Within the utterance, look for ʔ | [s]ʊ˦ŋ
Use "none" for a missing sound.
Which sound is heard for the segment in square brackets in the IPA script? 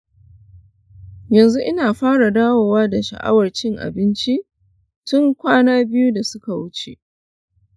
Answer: t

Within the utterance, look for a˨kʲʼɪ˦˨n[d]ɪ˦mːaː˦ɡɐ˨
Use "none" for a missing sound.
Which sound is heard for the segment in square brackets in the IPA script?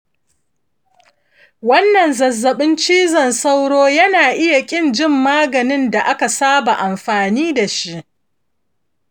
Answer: d͡ʒ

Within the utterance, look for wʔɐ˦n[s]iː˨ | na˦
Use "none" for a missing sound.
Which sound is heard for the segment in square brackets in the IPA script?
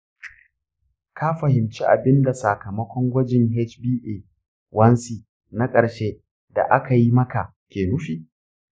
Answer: s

